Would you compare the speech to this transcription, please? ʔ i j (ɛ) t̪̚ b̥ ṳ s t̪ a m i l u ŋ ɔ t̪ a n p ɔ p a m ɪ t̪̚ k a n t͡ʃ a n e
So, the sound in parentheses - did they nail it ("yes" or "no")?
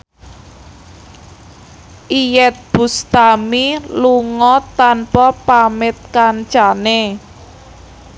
yes